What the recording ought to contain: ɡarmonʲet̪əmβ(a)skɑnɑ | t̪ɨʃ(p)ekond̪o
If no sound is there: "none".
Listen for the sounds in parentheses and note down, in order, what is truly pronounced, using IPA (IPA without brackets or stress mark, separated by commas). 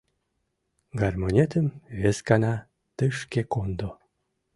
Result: e, k